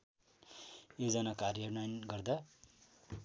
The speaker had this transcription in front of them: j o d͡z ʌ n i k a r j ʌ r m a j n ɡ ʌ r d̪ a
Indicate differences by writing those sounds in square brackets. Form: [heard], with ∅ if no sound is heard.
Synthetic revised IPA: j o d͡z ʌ n [a] k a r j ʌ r [n] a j n ɡ ʌ r d̪ a